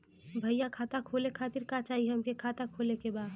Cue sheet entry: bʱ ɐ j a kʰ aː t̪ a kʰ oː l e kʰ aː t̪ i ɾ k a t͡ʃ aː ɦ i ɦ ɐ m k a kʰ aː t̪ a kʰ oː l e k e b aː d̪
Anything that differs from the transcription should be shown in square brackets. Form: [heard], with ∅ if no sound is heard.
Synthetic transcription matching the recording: bʱ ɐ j a kʰ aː t̪ a kʰ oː l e kʰ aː t̪ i ɾ k a t͡ʃ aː ɦ i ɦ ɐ m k [e] kʰ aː t̪ a kʰ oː l e k e b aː d̪

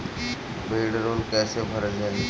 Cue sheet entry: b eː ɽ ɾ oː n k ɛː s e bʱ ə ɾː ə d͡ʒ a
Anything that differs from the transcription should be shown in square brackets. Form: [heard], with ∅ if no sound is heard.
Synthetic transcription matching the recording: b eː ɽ ɾ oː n k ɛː s e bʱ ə [ɾ] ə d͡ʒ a

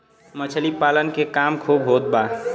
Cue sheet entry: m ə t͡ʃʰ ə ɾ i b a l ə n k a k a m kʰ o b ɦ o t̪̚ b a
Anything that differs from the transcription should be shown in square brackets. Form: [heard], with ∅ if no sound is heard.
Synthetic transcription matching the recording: m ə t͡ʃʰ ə [l] i [p] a l ə n k [e] k a m kʰ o b ɦ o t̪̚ b a

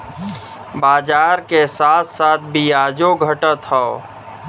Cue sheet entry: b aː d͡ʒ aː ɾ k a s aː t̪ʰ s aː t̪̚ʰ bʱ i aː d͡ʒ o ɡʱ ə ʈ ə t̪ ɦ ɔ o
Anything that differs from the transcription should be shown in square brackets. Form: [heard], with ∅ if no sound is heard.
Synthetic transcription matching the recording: b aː d͡ʒ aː ɾ k [e] s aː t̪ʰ s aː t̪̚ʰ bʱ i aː d͡ʒ o ɡʱ ə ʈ ə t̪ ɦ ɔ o

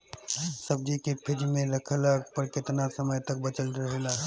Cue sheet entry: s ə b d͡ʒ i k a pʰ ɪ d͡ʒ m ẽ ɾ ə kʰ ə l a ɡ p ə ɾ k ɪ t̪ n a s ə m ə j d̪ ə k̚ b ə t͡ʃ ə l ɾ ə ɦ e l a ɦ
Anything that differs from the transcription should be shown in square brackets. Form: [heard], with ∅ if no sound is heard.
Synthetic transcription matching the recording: s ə b d͡ʒ i k [e] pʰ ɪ d͡ʒ m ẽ ɾ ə kʰ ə l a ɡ p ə ɾ k ɪ t̪ n a s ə m ə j [t̪] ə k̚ b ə t͡ʃ ə l ɾ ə ɦ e l a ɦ

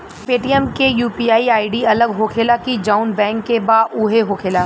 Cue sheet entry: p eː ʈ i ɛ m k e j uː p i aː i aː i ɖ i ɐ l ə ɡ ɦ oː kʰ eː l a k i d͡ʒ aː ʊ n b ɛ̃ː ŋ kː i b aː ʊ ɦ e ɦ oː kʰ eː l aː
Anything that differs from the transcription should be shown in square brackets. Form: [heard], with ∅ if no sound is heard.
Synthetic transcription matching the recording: p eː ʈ i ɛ m k e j uː p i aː i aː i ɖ i ɐ l ə ɡ ɦ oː kʰ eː l a k i d͡ʒ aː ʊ n b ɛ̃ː ŋ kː [e] b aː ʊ ɦ e ɦ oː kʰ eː l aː

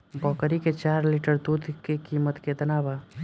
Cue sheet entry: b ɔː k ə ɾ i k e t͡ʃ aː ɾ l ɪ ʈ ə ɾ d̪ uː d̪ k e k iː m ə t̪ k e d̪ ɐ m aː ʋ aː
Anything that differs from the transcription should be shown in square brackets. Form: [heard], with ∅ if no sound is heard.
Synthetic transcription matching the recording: b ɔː k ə ɾ i k e t͡ʃ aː ɾ l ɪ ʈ ə ɾ d̪ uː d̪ k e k iː m ə t̪ k e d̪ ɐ [n] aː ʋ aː

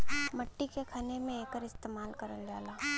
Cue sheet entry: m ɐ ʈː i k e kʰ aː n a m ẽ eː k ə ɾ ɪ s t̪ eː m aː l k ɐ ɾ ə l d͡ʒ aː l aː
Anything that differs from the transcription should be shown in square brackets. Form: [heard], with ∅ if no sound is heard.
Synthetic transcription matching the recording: m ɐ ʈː i k e kʰ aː n [e] m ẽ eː k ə ɾ ɪ s t̪ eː m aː l k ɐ ɾ ə l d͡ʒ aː l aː

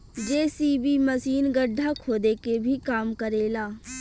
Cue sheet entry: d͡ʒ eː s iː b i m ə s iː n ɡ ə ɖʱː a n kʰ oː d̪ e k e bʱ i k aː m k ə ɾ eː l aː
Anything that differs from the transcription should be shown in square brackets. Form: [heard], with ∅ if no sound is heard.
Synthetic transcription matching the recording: d͡ʒ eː s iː b i m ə s iː n ɡ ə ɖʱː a [∅] kʰ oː d̪ e k e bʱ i k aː m k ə ɾ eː l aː

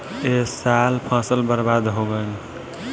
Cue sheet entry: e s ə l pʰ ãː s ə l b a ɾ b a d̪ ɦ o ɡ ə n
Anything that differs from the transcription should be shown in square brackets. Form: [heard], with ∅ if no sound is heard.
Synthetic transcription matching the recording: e s [a] l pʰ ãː s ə l b [ə] ɾ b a d̪ ɦ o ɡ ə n

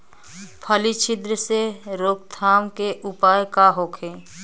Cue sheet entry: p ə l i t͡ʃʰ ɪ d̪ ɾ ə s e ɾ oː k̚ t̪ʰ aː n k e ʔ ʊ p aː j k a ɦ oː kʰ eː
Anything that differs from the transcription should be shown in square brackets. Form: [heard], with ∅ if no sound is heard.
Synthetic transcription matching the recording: [pʰ] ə l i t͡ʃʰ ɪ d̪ ɾ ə s e ɾ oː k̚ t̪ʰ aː [m] k e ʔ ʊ p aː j k a ɦ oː kʰ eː

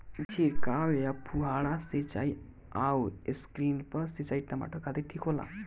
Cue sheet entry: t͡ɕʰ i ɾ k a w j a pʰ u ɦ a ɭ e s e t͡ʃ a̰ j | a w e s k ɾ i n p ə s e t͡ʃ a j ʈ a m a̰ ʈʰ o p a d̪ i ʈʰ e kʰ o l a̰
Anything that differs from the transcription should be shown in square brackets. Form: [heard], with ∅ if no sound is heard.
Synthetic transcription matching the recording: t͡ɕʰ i ɾ k a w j a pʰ u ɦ a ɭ [a] s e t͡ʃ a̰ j | a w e s k ɾ i n p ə s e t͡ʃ a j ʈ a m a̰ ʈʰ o [k] a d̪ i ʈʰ [i] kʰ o l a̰

